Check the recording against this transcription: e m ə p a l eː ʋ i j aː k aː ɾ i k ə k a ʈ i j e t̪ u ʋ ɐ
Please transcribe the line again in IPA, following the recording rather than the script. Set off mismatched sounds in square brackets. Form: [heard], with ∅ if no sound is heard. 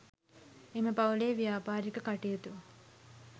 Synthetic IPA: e m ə p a l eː ʋ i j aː [p] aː ɾ i k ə k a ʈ i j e t̪ u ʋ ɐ